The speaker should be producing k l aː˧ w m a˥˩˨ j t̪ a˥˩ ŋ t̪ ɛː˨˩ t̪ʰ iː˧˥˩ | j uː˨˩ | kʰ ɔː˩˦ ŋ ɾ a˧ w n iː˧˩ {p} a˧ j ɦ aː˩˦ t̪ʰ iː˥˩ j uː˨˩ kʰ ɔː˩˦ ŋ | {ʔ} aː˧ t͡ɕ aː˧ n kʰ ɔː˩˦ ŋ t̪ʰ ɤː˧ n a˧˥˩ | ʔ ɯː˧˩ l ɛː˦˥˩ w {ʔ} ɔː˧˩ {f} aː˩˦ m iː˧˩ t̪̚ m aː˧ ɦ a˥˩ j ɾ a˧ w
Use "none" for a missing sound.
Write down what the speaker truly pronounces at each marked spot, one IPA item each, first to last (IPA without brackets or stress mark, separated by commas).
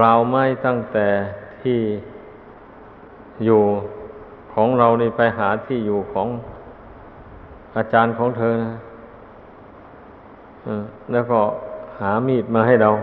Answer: p, ʔ, k, h